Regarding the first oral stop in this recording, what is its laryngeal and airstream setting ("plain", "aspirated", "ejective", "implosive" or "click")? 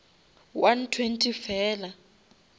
aspirated